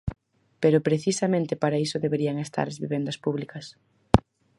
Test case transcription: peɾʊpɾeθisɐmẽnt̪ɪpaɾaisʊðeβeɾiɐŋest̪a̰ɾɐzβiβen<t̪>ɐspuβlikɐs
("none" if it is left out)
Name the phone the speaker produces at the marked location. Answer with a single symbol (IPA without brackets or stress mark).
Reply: d̪